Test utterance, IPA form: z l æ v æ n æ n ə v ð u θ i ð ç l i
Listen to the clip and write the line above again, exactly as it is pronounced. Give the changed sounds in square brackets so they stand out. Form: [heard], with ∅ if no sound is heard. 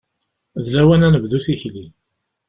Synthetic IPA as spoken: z l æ [w] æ n æ n ə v ð u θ i [∅] ç l i